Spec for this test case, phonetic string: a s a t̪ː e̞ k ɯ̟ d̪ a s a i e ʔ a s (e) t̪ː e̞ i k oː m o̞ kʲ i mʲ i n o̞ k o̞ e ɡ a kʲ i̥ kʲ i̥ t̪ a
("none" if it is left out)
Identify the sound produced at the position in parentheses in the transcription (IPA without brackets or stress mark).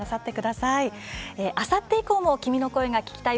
a